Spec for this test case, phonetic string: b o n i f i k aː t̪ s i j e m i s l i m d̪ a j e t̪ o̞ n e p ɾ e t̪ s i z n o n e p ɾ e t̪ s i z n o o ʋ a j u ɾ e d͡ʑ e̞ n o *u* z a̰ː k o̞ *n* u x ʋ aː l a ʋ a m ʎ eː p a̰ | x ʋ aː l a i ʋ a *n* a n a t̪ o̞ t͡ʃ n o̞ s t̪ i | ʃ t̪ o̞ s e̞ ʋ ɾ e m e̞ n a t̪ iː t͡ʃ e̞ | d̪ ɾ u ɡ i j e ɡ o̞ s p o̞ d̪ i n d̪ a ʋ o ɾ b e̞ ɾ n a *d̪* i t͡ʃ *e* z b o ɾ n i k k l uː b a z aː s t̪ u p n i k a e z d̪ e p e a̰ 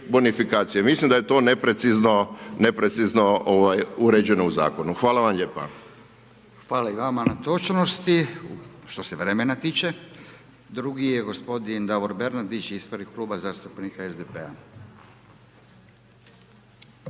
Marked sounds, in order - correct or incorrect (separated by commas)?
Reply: correct, correct, incorrect, correct, incorrect